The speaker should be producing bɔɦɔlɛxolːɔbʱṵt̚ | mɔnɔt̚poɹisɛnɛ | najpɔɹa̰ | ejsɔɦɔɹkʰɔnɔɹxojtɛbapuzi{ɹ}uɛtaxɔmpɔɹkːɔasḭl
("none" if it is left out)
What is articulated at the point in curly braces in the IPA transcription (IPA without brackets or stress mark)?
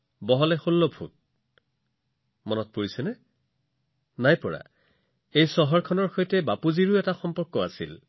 ɹ